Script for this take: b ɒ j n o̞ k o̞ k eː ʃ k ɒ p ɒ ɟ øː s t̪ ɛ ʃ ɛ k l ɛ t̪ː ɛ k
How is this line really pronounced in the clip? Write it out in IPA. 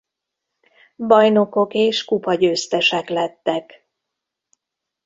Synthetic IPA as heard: b ɒ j n o̞ k o̞ k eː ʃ k u p ɒ ɟ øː s t̪ ɛ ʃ ɛ k l ɛ t̪ː ɛ k